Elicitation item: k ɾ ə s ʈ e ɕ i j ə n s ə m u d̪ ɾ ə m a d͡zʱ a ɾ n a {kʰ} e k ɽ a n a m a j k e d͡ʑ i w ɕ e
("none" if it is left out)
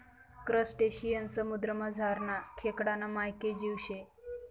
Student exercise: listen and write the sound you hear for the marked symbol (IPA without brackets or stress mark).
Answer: kʰ